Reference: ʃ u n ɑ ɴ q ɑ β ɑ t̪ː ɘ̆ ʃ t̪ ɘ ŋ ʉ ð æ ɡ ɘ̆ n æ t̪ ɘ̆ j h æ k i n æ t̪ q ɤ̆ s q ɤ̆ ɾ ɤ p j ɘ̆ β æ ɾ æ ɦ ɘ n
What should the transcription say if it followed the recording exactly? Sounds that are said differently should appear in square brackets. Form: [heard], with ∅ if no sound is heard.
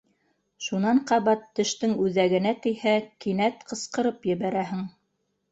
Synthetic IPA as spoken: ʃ u n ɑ ɴ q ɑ β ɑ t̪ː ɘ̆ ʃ t̪ ɘ ŋ ʉ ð æ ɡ ɘ̆ n æ t̪ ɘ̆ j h æ k i n æ t̪ q ɤ̆ s q ɤ̆ ɾ ɤ p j ɘ̆ β æ ɾ æ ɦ ɘ [ŋ]